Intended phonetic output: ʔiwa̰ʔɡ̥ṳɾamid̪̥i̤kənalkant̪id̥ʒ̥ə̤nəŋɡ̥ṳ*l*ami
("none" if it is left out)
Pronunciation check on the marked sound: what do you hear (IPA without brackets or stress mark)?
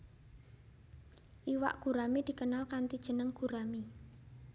ɾ